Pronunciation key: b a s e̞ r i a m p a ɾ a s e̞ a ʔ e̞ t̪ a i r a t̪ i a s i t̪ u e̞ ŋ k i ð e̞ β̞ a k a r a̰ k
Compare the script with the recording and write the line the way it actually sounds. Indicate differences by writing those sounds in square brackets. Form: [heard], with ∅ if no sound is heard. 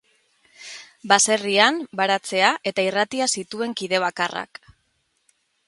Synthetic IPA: b a s e̞ r i a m [b] a ɾ a [t͡s] e̞ a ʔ e̞ t̪ a i r a t̪ i a s i t̪ u e̞ ŋ k i ð e̞ β̞ a k a r a̰ k

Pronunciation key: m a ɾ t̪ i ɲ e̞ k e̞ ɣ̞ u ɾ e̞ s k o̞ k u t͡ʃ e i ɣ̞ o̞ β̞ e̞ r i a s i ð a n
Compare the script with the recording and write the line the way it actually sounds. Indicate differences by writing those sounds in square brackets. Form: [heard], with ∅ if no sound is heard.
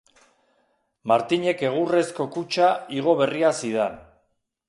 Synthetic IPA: m a ɾ t̪ i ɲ e̞ k e̞ ɣ̞ u [r] e̞ s k o̞ k u t͡ʃ [a] i ɣ̞ o̞ β̞ e̞ r i a s i ð a n

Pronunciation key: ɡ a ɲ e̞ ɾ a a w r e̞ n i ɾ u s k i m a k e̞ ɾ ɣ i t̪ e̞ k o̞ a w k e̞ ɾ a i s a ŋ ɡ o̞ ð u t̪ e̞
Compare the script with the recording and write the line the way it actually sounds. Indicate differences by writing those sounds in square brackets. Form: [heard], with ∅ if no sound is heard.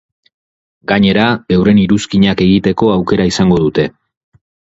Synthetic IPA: ɡ a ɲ e̞ ɾ a [e] w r e̞ n i ɾ u s k i [ɲ] a k e̞ [∅] ɣ i t̪ e̞ k o̞ a w k e̞ ɾ a i s a ŋ ɡ o̞ ð u t̪ e̞

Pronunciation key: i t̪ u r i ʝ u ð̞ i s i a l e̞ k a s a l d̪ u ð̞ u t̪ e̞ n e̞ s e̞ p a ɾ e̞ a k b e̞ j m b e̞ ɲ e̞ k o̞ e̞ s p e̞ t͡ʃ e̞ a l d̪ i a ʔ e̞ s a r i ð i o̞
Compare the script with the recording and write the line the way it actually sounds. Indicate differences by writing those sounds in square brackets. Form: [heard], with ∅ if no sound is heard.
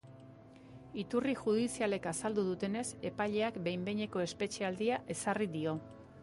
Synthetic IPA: i t̪ u r i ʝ u ð̞ i s i a l e̞ k a s a l d̪ u ð̞ u t̪ e̞ n e̞ s e̞ p a [ʎ] e̞ a k b e̞ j m b e̞ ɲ e̞ k o̞ e̞ s p e̞ t͡ʃ e̞ a l d̪ i a ʔ e̞ s a r i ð i o̞

